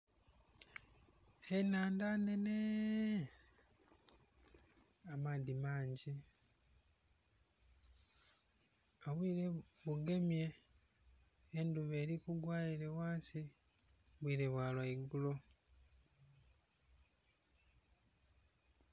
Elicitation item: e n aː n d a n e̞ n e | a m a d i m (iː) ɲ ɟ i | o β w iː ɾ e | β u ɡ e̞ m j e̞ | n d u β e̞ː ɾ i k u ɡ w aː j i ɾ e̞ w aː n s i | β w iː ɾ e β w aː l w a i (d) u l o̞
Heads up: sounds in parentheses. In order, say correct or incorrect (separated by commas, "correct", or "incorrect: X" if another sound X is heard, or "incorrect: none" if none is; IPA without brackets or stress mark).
incorrect: aː, incorrect: ɡ